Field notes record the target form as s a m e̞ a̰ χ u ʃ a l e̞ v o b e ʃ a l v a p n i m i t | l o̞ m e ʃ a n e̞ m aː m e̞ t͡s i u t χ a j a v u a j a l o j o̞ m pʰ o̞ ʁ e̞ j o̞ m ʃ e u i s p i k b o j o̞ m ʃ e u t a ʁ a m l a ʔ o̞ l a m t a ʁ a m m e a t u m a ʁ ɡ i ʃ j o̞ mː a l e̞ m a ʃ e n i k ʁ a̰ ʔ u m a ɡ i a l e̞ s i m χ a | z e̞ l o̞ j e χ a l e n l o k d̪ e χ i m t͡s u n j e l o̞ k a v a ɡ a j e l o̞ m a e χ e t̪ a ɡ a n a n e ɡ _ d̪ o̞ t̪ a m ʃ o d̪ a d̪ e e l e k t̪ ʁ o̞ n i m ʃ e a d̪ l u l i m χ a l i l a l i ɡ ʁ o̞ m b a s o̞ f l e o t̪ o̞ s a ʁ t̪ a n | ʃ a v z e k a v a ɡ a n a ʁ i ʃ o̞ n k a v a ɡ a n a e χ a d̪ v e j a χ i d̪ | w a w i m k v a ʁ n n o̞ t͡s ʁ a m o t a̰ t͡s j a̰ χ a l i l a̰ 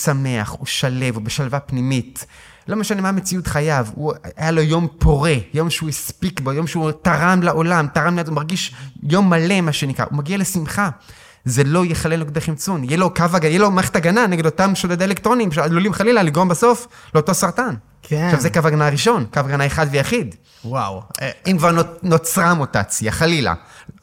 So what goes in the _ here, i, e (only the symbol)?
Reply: e